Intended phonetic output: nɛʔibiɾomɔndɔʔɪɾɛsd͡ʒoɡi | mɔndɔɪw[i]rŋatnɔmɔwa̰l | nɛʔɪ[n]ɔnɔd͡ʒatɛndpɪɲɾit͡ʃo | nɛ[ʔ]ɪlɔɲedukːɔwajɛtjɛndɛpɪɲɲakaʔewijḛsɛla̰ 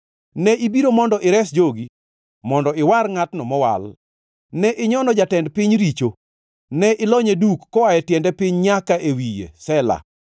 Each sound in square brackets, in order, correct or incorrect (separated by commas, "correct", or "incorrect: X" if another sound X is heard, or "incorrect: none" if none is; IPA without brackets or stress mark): incorrect: a, incorrect: ɲ, correct